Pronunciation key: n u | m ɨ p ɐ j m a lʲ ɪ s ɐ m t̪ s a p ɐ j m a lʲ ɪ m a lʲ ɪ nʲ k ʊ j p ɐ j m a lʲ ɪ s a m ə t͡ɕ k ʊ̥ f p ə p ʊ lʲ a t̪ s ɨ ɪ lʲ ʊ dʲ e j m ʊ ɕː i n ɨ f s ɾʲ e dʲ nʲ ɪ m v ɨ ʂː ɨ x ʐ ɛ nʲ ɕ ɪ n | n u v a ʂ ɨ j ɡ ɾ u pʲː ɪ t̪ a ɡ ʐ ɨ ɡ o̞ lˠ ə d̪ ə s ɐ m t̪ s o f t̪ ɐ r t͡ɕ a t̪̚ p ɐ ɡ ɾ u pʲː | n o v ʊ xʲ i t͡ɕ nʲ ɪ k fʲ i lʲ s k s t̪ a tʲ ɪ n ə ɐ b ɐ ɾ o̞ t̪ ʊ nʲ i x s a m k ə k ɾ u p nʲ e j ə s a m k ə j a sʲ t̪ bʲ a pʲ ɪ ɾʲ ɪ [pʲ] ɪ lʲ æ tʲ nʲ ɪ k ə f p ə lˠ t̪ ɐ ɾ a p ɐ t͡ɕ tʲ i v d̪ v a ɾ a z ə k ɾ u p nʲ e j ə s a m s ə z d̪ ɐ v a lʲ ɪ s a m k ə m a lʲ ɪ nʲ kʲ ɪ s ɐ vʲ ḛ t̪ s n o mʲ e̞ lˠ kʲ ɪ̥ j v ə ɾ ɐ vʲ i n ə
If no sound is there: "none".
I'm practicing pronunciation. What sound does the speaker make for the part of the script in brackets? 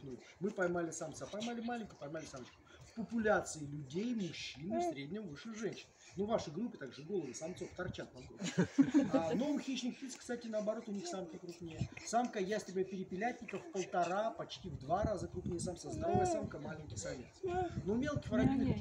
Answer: pʲ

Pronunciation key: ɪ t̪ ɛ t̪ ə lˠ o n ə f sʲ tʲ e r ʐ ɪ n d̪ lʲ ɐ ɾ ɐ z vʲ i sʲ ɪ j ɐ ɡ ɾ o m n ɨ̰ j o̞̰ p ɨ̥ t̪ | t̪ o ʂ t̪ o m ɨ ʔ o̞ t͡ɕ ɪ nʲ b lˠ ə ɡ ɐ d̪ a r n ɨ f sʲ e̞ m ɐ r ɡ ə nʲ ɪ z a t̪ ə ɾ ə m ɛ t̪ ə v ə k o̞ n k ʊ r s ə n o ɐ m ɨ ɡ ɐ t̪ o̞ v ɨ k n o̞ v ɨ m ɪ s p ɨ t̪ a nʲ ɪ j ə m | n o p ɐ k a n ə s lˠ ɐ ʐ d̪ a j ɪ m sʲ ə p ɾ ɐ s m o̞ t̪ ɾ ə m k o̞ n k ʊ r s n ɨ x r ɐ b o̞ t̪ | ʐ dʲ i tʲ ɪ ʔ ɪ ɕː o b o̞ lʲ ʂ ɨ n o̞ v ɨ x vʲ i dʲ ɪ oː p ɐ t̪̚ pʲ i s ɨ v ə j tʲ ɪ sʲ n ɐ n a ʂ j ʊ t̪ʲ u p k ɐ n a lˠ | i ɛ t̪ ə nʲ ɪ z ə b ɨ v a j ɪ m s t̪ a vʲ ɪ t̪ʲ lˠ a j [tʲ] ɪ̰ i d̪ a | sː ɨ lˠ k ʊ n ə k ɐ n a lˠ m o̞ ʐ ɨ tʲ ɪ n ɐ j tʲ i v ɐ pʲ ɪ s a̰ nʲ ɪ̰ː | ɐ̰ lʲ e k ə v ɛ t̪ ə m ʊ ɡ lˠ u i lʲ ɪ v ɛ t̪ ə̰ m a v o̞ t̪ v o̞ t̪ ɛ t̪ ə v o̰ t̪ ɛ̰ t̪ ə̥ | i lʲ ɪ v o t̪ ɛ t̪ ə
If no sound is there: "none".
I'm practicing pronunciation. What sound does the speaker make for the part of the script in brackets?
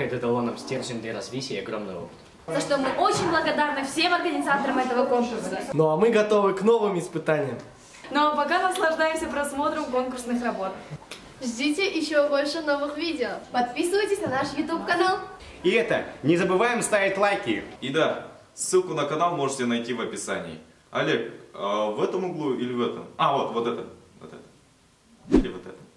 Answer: kʲ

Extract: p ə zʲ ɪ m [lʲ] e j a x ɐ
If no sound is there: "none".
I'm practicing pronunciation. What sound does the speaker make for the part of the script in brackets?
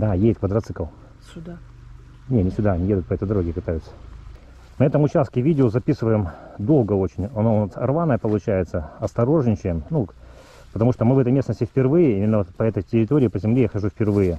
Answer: lʲ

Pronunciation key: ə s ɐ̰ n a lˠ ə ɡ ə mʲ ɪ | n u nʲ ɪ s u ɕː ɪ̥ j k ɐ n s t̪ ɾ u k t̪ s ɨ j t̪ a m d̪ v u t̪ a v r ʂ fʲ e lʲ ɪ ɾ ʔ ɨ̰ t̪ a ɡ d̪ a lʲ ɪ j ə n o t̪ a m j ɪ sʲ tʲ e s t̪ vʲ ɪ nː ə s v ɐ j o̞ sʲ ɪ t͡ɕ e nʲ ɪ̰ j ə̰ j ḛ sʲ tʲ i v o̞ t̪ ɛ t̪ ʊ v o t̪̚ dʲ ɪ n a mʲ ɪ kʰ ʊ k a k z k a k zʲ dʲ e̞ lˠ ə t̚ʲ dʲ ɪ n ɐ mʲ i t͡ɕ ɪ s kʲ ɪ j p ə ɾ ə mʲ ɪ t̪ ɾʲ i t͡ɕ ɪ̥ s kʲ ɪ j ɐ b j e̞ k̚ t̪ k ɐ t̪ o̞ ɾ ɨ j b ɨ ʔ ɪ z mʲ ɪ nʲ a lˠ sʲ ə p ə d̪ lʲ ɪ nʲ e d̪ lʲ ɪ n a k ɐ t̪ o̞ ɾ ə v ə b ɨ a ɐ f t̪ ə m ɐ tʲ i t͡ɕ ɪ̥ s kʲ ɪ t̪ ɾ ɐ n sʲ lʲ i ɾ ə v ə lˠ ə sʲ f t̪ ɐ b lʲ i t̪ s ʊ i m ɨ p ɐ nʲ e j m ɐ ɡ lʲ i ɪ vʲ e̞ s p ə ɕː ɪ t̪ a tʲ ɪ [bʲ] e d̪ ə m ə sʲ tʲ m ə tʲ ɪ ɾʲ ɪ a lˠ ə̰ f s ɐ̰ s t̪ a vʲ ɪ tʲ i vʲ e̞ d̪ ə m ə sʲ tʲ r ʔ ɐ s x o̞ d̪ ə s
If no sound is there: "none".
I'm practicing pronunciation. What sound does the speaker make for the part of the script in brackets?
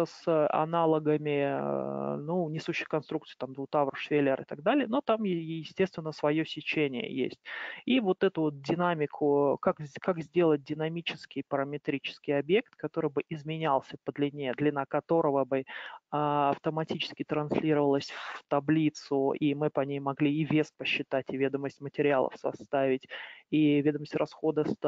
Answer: vʲ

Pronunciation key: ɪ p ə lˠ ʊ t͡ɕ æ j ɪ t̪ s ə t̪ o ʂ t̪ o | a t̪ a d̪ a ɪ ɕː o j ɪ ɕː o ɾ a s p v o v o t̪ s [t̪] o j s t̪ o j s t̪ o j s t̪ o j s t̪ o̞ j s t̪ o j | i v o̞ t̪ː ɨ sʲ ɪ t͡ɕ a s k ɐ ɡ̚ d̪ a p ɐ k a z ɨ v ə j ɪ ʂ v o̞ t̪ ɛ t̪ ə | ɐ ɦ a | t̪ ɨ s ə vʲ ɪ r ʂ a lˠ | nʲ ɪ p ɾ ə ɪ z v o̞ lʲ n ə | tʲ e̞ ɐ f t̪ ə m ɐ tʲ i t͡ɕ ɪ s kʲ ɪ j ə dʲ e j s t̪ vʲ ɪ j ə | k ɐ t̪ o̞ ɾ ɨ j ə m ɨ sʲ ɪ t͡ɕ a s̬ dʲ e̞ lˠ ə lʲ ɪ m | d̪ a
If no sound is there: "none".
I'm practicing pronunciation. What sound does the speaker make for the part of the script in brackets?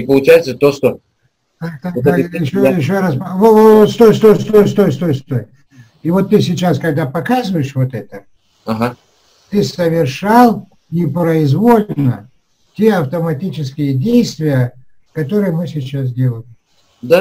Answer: t̪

